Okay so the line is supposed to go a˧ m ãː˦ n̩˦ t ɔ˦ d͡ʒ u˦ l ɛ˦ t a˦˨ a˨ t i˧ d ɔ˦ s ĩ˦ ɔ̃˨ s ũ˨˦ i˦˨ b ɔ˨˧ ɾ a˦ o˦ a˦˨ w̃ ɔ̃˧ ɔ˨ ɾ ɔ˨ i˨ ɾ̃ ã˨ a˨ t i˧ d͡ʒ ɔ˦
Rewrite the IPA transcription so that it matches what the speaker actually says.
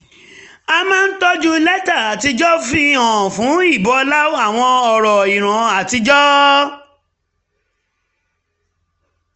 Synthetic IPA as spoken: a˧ m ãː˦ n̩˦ t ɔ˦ d͡ʒ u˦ l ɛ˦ t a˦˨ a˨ t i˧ d͡ʒ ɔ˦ f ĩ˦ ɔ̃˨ f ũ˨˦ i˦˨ b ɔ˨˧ l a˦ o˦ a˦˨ w̃ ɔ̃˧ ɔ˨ ɾ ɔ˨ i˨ ɾ̃ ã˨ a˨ t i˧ d͡ʒ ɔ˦